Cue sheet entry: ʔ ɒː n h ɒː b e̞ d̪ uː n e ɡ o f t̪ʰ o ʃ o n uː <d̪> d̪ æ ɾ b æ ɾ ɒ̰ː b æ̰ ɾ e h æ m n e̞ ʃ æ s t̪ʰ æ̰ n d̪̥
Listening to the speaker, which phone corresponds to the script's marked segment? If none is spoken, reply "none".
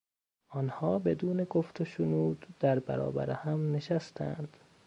d̪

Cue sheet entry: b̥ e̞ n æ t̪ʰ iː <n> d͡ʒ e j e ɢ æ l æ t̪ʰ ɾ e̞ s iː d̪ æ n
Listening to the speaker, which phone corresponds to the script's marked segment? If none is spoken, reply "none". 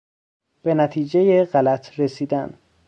none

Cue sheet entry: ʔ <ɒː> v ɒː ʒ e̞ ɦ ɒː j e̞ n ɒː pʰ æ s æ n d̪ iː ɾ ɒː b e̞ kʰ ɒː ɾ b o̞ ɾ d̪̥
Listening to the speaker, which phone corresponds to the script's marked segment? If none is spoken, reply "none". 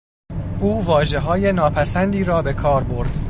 uː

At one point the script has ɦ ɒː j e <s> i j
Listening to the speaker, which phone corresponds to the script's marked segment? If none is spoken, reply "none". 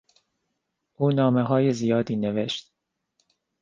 z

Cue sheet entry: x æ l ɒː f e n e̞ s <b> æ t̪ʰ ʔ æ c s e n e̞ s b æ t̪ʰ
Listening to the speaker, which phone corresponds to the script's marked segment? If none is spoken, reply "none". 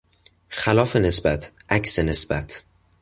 b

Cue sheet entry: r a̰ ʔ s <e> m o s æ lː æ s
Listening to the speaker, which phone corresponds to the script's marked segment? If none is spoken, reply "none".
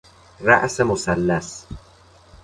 e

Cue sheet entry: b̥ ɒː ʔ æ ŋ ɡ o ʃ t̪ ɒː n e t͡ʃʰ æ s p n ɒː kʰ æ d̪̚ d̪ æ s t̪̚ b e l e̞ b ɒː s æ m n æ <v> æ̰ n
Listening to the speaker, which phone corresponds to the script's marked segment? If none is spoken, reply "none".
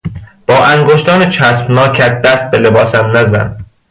z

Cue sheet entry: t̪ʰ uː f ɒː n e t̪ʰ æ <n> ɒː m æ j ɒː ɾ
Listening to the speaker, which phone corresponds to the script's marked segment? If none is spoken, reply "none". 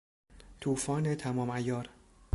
m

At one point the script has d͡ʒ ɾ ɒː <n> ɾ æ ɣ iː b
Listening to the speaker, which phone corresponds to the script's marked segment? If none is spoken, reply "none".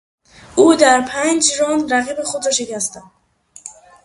n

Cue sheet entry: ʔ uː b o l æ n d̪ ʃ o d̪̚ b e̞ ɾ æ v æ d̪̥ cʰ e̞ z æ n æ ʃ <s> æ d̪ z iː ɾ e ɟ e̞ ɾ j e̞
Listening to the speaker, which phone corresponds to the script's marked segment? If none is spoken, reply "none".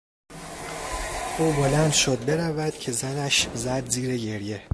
z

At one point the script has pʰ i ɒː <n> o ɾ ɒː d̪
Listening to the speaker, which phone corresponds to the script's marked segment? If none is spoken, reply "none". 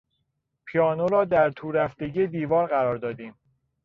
n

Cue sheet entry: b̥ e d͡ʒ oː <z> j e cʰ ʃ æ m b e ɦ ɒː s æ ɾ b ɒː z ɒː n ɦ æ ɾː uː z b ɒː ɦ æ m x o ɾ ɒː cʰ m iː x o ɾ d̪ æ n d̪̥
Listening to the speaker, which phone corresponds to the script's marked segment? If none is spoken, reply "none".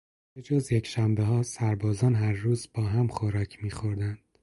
z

